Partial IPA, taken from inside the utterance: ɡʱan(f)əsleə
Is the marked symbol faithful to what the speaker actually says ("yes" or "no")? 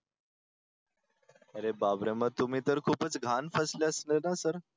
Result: yes